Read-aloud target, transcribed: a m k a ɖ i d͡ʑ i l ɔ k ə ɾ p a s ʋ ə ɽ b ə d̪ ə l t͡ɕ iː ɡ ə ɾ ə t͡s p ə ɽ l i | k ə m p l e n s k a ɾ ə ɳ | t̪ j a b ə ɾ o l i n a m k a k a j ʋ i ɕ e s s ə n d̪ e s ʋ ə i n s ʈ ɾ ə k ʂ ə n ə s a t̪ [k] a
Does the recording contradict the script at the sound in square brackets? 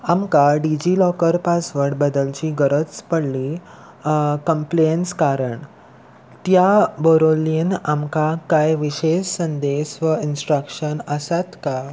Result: no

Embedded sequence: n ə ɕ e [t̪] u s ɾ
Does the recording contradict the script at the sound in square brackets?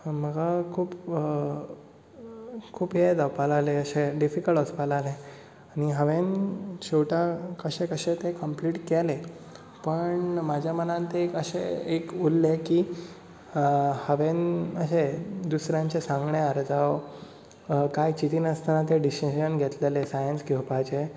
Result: yes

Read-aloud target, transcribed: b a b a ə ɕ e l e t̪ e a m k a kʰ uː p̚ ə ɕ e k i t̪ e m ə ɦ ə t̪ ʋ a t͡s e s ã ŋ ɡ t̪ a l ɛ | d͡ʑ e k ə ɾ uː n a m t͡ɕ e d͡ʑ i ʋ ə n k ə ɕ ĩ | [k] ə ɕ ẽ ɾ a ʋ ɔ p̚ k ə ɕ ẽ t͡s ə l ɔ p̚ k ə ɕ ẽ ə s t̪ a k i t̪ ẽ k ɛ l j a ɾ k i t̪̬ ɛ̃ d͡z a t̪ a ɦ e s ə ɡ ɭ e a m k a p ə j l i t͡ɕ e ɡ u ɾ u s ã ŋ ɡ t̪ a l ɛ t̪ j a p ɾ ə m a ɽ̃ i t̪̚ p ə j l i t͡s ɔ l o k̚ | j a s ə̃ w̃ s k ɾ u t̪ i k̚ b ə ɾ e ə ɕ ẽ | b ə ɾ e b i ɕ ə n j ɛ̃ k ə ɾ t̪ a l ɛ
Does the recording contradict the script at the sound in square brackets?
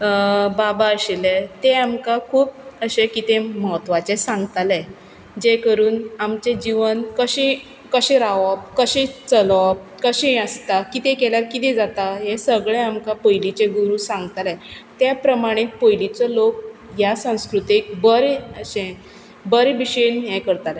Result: no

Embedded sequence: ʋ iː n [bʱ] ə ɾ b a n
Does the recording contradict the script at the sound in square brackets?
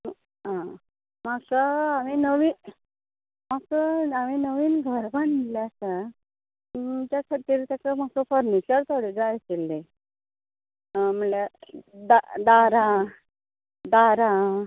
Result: yes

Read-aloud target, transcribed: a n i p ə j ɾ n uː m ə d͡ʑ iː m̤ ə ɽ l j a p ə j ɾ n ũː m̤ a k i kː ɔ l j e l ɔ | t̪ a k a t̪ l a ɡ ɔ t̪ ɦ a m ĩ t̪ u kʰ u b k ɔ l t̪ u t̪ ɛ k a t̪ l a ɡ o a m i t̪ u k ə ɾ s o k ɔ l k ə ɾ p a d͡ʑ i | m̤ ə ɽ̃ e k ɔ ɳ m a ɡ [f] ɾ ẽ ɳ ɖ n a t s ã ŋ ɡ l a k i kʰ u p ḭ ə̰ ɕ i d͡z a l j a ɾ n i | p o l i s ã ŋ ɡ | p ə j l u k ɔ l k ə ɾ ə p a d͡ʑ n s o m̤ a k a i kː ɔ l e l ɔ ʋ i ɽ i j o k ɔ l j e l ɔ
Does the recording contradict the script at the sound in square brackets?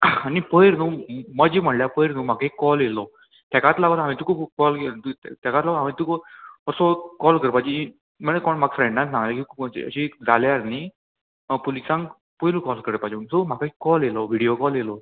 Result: no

